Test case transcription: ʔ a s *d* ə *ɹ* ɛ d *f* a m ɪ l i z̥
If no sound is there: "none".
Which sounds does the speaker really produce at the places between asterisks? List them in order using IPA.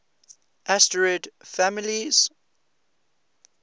t, ɹ, f

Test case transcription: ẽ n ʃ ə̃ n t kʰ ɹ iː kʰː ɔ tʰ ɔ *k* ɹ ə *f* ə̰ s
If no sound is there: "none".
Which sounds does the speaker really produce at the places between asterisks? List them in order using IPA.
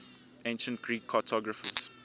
ɡ, f

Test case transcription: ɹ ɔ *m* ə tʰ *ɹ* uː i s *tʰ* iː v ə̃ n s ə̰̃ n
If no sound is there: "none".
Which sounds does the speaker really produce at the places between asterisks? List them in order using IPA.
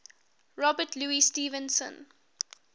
b, l, t

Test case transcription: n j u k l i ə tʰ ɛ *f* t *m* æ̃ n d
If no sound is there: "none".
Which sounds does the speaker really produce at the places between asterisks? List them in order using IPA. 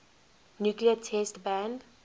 s, b

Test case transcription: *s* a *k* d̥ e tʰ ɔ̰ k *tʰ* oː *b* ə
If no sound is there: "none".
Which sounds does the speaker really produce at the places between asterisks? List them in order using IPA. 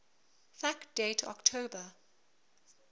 f, k, tʰ, b

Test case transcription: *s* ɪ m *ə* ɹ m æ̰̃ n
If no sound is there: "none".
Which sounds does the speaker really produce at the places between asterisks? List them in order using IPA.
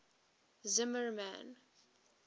z, ə

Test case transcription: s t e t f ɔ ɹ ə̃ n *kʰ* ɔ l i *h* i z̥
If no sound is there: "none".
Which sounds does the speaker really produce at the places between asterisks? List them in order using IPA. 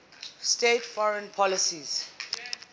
pʰ, s

